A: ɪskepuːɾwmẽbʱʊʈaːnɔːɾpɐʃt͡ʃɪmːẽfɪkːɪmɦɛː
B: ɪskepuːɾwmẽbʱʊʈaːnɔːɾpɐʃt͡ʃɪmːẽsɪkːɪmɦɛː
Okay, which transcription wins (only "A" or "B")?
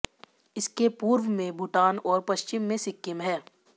B